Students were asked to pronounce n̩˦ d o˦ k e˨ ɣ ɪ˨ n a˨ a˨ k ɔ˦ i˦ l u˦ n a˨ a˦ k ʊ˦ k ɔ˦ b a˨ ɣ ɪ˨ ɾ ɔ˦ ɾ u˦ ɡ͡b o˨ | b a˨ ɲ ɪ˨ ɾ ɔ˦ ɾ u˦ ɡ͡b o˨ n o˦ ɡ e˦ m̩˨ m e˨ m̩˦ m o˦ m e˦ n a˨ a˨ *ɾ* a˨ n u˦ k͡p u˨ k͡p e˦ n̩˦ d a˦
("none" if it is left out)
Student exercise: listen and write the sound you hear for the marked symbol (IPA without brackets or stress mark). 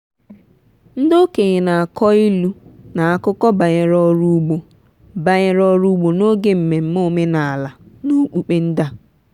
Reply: l